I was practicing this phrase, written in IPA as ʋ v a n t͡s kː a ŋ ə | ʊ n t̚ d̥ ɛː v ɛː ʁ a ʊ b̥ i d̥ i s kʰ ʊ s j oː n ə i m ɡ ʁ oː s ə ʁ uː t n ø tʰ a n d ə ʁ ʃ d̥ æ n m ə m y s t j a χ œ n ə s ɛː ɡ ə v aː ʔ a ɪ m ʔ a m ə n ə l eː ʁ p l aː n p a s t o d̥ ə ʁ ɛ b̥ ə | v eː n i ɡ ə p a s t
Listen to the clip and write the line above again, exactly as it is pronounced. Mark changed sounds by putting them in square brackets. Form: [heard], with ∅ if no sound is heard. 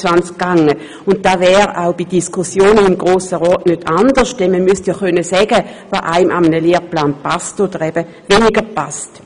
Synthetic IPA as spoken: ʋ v a n t͡s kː a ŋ ə | ʊ n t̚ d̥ [aː] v ɛː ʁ a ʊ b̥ i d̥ i s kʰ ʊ s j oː n ə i m ɡ ʁ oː s ə ʁ [ɔː] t n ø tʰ a n d ə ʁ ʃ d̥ [ɛ] n m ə m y s t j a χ œ n ə s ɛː ɡ ə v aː ʔ a ɪ m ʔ a m ə n ə l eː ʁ p l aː n p a s t o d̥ ə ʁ ɛ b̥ ə | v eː n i ɡ ə p a s t